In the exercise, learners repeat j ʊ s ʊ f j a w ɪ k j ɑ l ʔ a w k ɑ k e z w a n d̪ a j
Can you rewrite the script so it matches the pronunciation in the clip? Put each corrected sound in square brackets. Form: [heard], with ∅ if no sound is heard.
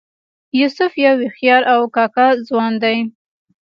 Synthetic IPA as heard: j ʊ s ʊ f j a w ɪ [x] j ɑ [ɾ] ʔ a w k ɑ k [a] z w [ɑ] n d̪ a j

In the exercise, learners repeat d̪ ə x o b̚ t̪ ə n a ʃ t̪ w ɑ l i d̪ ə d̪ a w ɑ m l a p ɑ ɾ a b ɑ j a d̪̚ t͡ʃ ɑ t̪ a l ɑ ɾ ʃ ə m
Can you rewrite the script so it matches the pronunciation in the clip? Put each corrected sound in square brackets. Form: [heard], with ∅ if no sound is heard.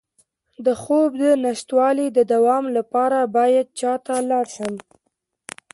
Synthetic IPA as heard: d̪ ə x o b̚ [d̪] ə n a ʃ t̪ w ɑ l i d̪ ə d̪ a w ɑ m l a p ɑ ɾ a b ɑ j a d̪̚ t͡ʃ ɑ t̪ a l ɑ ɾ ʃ ə m

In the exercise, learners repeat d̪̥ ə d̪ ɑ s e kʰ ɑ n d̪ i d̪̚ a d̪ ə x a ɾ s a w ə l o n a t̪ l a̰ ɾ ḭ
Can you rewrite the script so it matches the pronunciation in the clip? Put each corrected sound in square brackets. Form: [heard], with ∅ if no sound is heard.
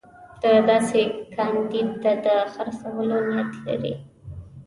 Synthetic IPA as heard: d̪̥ ə d̪ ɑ s e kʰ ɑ n d̪ i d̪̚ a d̪ ə x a ɾ s a w ə l o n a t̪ l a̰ ɾ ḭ

